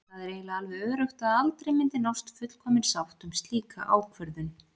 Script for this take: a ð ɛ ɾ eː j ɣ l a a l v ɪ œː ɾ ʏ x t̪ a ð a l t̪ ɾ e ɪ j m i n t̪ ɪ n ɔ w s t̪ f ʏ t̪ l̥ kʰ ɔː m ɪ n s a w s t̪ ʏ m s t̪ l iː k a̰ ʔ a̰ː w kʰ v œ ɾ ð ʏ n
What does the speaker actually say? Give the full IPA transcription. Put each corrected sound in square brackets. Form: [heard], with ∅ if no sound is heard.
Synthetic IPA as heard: a ð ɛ ɾ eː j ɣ l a a l v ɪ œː ɾ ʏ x t̪ a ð a l t̪ ɾ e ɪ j m [ɪ] n t̪ ɪ n ɔ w s t̪ f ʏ t̪ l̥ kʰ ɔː m ɪ n s a w [h] t̪ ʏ m s t̪ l iː k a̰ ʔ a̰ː w kʰ v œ ɾ ð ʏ n